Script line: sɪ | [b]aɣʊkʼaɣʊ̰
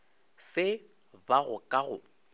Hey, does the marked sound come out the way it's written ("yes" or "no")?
yes